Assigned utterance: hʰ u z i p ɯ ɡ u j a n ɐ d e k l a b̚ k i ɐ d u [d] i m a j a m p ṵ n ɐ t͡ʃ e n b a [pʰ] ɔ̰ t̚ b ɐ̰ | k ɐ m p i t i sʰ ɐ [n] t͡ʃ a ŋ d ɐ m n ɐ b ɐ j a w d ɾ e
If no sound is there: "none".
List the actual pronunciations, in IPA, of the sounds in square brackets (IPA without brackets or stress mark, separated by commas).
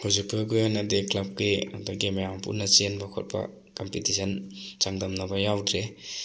ɡ, kʰ, n